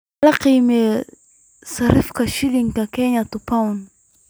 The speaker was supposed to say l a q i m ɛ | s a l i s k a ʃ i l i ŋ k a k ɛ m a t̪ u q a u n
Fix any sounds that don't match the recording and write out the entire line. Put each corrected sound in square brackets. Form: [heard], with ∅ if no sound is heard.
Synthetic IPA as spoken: l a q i m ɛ | s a [ɾ] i [f] k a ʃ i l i ŋ k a k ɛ [ɲ] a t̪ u [p] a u n